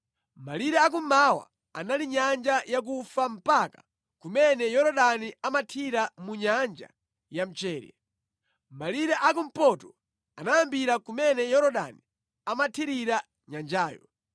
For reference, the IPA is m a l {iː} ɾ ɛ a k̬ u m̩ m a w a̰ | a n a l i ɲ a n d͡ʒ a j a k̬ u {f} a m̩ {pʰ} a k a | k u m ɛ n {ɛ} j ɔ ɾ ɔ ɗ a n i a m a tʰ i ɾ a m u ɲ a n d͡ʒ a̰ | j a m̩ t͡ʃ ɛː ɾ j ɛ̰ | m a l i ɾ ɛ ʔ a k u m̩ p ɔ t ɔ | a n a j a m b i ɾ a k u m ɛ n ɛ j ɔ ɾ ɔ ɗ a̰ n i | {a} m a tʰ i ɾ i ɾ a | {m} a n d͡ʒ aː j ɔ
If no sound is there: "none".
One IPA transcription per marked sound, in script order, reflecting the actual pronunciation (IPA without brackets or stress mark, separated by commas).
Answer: i, f, p, ɛ, a, ɲ